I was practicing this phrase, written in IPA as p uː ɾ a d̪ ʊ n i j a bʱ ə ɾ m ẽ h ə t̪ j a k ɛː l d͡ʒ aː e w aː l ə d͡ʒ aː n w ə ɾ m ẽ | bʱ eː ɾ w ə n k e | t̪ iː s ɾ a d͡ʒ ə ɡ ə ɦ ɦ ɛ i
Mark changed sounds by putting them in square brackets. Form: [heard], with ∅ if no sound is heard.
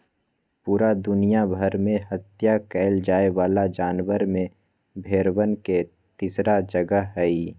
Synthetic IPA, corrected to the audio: p uː ɾ a d̪ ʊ n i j a bʱ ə ɾ m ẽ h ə t̪ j a k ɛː l d͡ʒ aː e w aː l [a] d͡ʒ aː n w ə ɾ m ẽ | bʱ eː ɾ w ə n k e | t̪ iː s ɾ a d͡ʒ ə ɡ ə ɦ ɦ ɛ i